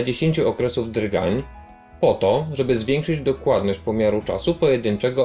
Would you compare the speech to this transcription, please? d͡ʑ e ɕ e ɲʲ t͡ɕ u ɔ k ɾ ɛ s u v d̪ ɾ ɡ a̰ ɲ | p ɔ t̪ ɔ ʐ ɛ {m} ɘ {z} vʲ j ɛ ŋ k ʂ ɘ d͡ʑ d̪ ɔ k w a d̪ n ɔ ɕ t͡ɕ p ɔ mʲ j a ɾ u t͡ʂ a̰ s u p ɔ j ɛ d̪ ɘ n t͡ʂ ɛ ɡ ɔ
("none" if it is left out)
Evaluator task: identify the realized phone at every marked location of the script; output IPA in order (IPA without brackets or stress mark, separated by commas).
b, z